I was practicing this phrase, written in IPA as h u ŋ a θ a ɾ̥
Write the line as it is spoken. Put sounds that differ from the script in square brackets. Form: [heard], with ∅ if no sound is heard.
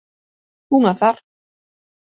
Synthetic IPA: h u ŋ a θ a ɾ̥